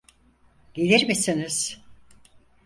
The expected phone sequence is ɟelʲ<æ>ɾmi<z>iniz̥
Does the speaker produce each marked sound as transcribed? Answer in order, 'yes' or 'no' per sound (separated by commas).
no, no